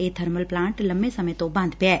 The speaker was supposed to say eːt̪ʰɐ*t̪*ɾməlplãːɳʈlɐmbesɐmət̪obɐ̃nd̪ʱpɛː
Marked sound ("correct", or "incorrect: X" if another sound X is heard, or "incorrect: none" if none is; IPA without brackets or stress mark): incorrect: none